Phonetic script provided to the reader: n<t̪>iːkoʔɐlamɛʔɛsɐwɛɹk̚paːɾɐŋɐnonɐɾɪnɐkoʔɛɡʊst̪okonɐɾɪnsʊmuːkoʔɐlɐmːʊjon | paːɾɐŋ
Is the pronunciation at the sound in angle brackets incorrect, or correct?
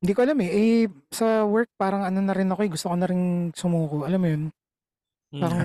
incorrect